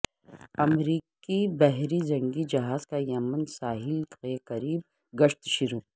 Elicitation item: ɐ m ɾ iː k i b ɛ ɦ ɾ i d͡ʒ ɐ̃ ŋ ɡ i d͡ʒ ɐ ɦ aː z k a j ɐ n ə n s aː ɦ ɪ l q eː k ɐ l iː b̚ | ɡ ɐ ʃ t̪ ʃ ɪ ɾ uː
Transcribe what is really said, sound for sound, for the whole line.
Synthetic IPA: ɐ m ɾ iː k i b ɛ ɦ ɾ i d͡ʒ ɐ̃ ŋ ɡ i d͡ʒ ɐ ɦ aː z k a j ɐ m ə n s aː ɦ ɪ l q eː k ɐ ɾ iː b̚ | ɡ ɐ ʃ t̪ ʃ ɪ ɾ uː